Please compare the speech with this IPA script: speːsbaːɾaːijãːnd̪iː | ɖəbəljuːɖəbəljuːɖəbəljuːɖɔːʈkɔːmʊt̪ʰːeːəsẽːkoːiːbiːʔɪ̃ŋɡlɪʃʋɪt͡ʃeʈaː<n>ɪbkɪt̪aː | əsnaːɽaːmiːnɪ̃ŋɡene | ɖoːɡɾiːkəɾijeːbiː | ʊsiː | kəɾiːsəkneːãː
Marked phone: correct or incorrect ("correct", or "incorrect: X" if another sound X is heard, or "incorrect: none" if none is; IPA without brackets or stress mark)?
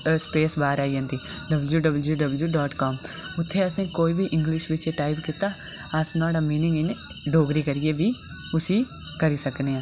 incorrect: none